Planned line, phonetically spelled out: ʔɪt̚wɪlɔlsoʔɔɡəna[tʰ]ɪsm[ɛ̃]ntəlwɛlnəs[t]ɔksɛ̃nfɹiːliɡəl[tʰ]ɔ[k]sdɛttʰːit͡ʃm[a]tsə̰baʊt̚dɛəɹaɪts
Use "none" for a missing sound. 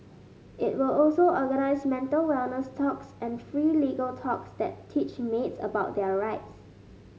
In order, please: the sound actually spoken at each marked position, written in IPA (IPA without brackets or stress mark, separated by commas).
none, ɛ̃, tʰ, tʰ, k, e